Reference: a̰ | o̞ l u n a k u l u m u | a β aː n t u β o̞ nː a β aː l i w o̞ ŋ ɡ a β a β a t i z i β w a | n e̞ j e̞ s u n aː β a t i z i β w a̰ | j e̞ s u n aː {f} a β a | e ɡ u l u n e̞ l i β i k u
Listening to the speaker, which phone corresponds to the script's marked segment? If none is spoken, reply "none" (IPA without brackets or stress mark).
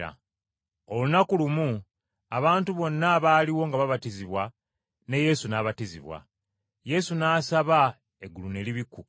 s